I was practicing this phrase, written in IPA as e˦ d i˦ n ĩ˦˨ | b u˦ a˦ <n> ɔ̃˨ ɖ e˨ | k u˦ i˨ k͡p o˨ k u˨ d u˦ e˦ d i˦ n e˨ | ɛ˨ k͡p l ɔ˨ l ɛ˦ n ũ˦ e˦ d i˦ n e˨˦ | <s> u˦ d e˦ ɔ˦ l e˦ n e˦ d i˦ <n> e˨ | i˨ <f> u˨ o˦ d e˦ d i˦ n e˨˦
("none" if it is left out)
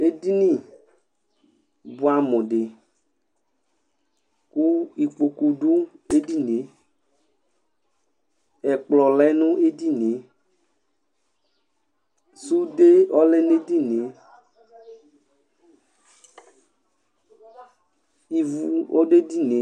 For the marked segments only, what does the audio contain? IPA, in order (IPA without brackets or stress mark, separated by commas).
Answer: m, s, n, v